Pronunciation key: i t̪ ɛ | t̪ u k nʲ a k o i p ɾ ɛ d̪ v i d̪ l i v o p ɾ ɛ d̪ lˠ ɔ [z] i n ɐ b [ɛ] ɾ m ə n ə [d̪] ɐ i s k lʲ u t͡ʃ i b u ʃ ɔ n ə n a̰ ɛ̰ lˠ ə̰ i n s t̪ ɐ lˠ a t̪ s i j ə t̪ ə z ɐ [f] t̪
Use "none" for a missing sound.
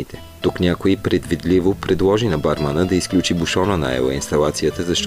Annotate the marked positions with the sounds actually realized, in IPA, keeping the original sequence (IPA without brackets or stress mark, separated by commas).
ʒ, a, d̪, ʃ